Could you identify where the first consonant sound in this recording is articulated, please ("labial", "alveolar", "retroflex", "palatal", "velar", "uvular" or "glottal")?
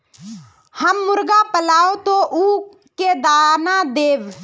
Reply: glottal